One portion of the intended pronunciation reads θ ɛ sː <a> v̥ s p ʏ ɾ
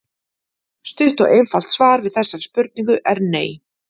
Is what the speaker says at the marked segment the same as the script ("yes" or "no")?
yes